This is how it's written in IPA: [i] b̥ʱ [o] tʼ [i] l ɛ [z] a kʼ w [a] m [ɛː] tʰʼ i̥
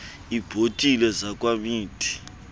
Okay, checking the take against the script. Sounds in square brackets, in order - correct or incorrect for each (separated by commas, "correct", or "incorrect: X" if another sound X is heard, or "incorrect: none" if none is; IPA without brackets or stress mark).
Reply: correct, correct, correct, correct, correct, incorrect: iː